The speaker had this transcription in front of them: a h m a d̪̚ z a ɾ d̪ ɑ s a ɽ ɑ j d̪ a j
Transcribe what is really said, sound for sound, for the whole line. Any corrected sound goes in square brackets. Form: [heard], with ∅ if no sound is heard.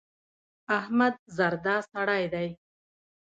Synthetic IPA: a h m a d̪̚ z a ɾ d̪ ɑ s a ɽ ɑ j d̪ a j